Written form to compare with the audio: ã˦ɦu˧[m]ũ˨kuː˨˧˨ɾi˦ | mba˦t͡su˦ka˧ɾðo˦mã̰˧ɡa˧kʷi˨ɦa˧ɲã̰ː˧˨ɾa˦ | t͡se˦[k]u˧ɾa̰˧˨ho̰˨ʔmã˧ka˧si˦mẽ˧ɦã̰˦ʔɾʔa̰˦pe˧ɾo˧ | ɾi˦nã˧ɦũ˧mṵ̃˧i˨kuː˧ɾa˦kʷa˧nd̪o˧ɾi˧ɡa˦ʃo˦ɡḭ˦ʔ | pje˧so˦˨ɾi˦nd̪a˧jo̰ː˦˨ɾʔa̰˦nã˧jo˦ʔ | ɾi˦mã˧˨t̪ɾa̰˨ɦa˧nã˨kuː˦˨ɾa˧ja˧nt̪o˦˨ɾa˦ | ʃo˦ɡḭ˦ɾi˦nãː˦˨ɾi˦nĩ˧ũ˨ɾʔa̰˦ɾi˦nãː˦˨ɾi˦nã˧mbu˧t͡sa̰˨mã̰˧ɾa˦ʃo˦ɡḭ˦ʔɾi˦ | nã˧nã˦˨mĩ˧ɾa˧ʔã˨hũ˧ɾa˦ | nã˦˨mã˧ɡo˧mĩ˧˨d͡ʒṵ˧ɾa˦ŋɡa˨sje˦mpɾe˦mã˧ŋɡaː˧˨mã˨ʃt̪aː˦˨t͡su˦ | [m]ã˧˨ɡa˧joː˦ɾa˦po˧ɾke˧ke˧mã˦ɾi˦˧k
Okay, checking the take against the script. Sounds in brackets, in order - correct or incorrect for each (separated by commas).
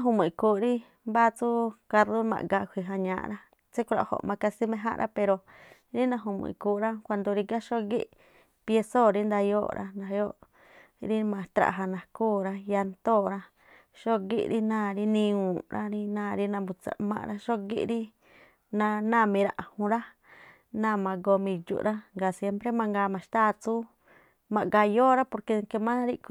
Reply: correct, correct, correct